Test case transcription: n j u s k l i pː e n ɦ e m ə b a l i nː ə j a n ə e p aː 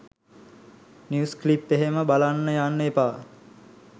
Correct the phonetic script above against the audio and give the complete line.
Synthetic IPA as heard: n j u s k l i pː e ɦ e m ə b a l a nː ə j a nː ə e p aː